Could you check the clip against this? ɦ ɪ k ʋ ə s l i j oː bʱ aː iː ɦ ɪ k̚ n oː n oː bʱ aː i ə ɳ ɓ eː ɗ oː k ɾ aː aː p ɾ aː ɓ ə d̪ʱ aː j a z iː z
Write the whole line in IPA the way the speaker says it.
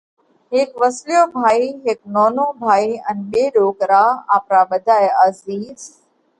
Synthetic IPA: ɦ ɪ k ʋ ə s l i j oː bʱ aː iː ɦ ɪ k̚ n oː n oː bʱ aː i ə n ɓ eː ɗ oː k ɾ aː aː p ɾ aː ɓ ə d̪ʱ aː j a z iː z